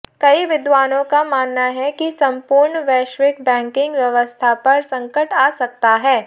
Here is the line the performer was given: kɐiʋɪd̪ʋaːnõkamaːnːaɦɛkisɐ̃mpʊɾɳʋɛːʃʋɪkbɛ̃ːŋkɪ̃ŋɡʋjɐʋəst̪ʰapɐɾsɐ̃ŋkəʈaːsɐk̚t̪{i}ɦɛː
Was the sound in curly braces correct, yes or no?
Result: no